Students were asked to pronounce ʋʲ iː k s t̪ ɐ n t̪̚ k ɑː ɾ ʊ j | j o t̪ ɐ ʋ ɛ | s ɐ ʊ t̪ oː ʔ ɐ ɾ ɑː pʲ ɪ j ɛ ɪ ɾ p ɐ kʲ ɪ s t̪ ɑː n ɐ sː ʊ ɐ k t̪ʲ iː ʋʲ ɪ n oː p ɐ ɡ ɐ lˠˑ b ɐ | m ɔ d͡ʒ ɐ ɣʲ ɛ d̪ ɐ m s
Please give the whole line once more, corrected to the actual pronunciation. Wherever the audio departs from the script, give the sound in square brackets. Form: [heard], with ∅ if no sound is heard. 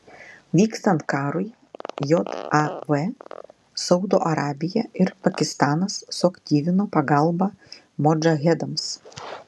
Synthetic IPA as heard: ʋʲ iː k s t̪ ɐ n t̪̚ k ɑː ɾ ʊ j | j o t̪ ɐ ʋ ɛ | s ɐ ʊ [d̪] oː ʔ ɐ ɾ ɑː [bʲ] ɪ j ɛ ɪ ɾ p ɐ kʲ ɪ s t̪ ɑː n ɐ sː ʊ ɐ k t̪ʲ iː ʋʲ ɪ n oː p ɐ ɡ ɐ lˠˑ b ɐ | m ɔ d͡ʒ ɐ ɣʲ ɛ d̪ ɐ m s